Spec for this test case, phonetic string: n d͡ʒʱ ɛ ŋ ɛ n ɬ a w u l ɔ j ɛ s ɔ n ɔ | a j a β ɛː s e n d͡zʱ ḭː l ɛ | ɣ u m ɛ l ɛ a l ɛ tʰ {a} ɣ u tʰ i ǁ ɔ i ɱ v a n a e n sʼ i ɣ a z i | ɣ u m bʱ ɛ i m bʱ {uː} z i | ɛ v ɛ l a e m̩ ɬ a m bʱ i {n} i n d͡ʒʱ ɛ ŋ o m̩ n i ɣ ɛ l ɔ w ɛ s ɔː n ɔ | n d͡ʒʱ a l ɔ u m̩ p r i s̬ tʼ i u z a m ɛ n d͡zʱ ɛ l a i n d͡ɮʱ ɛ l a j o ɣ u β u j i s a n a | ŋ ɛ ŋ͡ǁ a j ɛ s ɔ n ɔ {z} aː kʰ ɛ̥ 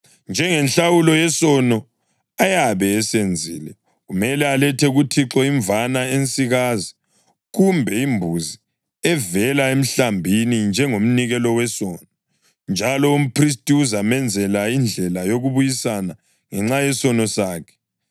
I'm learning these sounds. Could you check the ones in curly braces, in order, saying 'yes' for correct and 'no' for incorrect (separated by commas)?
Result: no, no, yes, no